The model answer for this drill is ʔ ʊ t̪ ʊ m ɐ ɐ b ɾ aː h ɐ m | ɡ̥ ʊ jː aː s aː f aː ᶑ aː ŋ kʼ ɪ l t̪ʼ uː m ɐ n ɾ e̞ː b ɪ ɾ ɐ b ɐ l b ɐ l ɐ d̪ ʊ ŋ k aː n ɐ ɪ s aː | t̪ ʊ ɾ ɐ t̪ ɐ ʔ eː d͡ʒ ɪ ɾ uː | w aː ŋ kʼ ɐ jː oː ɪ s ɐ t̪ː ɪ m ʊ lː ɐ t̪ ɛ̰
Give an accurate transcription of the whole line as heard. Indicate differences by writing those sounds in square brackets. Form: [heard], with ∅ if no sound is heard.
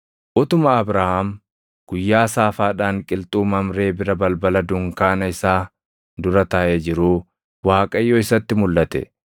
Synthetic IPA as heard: ʔ ʊ t̪ ʊ m ɐ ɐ b ɾ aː h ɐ m | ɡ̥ ʊ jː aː s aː f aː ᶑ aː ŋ kʼ ɪ l t̪ʼ uː m ɐ [m] ɾ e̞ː b ɪ ɾ ɐ b ɐ l b ɐ l ɐ d̪ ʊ ŋ k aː n ɐ ɪ s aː | [d̪] ʊ ɾ ɐ t̪ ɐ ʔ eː d͡ʒ ɪ ɾ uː | w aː [∅] kʼ ɐ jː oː ɪ s ɐ t̪ː ɪ m ʊ lː ɐ t̪ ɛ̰